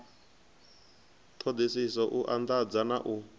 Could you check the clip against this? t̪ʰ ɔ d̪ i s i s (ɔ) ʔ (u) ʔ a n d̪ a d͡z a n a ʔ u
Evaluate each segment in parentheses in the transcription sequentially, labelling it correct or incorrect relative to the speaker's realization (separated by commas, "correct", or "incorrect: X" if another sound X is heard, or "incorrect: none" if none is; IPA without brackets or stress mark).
correct, correct